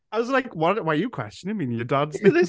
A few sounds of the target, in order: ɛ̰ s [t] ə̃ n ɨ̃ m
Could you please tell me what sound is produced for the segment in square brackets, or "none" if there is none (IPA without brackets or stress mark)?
t͡ʃ